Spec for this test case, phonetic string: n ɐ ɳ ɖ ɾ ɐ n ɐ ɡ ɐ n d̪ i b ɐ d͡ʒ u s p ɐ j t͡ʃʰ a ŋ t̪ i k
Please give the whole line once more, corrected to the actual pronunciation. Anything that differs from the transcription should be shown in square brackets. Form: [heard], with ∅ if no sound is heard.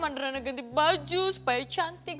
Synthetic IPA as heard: [m] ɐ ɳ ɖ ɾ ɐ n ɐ ɡ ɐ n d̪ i b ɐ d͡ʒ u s p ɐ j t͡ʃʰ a [n] t̪ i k